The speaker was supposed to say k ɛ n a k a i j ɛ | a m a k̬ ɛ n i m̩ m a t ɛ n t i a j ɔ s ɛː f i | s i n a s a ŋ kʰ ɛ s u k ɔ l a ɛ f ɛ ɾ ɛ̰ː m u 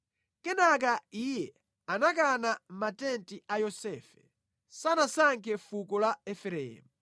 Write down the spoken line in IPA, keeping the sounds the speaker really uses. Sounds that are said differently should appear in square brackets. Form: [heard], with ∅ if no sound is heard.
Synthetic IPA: k ɛ n a k a i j ɛ | a [n] a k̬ [a] n [a] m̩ m a t ɛ n t i a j ɔ s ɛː f [ɛ] | s [a] n a s a ŋ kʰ ɛ [f] u k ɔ l a ɛ f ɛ ɾ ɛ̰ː m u